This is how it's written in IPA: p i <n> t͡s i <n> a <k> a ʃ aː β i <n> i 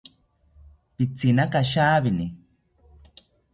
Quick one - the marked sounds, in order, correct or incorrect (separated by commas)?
incorrect, correct, correct, correct